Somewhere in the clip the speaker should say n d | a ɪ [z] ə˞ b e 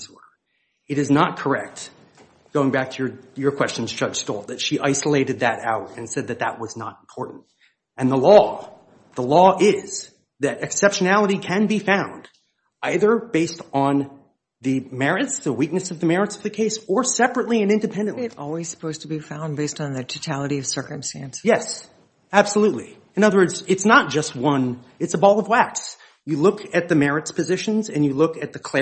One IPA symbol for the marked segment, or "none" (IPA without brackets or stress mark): ð